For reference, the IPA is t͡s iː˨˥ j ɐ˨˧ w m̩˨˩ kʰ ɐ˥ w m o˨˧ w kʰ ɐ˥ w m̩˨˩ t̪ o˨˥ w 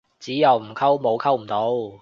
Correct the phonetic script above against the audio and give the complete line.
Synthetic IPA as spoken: t͡s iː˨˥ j ɐ˨˧ w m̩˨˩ kʰ ɐ˥ w m o˨˧ w kʰ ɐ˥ w m̩˨˩ t̪ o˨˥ w

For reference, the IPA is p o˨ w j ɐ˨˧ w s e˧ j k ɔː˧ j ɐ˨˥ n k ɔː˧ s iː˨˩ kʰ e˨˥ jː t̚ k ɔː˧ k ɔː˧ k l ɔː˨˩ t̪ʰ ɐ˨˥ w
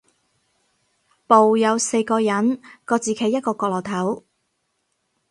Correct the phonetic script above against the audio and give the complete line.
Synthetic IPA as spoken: p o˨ w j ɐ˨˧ w s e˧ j k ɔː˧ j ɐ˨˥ n k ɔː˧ t͡s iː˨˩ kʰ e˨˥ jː t̚ k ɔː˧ k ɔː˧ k l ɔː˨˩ t̪ʰ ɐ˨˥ w

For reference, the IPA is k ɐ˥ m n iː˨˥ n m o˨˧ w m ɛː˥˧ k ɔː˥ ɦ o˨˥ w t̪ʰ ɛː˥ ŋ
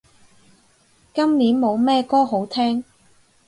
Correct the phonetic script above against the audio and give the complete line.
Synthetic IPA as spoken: k ɐ˥ m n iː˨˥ n m o˨˧ w m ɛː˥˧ k ɔː˥ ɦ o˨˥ w t̪ʰ ɛː˥ ŋ

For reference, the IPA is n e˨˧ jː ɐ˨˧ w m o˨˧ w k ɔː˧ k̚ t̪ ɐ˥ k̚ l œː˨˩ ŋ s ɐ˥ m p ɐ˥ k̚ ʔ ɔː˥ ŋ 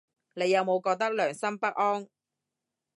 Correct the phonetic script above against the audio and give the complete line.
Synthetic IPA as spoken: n e˨˧ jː ɐ˨˧ w m o˨˧ w k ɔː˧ k̚ t̪ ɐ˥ k̚ l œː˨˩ ŋ s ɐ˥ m p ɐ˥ k̚ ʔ ɔː˥ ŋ

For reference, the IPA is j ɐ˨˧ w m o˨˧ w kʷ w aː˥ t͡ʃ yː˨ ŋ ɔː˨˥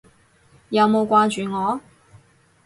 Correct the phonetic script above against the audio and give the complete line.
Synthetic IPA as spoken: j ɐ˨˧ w m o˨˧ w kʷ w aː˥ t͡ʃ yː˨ ŋ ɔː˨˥

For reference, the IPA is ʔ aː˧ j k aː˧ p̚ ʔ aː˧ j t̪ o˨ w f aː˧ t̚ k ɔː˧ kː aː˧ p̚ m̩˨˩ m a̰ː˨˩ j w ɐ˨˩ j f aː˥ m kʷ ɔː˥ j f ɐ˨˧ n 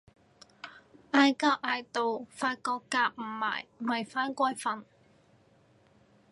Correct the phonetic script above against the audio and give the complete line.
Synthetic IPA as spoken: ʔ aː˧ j k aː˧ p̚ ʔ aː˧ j t̪ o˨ w f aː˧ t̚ k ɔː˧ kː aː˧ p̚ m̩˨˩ m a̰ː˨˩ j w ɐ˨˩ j f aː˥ n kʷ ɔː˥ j f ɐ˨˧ n

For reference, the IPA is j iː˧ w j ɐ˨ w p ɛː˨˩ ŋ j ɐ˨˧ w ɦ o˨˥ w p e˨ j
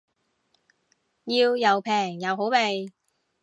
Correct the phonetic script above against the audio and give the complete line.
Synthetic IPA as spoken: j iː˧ w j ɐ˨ w pʰ ɛː˨˩ ŋ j ɐ˨˧ w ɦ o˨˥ w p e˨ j

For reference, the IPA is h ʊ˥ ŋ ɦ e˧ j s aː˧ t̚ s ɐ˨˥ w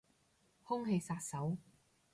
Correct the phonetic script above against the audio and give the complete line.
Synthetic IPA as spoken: h ʊ˥ ŋ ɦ e˧ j s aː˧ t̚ s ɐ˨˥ w

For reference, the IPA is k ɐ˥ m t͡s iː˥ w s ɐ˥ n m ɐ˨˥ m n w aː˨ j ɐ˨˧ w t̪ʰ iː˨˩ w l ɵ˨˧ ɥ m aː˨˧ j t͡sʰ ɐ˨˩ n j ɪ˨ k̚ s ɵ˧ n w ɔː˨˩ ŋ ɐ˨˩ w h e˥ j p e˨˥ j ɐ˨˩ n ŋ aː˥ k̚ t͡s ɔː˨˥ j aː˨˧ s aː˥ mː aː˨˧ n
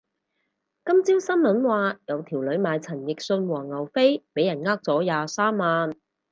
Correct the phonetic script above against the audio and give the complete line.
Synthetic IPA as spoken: k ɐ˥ m t͡s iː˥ w s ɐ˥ n m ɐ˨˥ n w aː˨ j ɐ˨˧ w t̪ʰ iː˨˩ w l ɵ˨˧ ɥ m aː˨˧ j t͡sʰ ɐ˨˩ n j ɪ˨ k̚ s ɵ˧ n w ɔː˨˩ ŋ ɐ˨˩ w f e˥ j p e˨˥ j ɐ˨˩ n ŋ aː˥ k̚ t͡s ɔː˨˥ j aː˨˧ s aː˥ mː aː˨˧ n

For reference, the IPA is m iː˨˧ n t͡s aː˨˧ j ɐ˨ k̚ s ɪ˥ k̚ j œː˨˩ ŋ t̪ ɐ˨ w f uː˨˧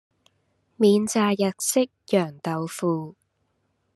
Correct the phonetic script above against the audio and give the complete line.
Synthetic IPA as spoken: m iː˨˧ n t͡s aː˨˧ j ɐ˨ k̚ s ɪ˥ k̚ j œː˨˩ ŋ t̪ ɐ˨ w f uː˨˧

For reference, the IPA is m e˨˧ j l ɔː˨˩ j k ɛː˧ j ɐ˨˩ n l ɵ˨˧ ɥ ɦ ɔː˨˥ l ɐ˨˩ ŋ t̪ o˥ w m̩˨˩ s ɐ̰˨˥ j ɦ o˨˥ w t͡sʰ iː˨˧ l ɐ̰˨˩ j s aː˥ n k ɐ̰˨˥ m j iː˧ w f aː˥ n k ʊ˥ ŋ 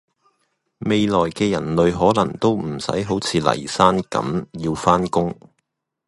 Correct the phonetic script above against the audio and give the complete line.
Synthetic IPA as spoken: m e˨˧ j l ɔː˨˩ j k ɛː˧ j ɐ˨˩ n l ɵ˨˧ ɥ ɦ ɔː˨˥ l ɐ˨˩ ŋ t̪ o˥ w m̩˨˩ s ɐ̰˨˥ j ɦ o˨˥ w t͡sʰ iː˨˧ l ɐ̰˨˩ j s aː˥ n k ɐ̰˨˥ m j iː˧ w f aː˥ n k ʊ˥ ŋ

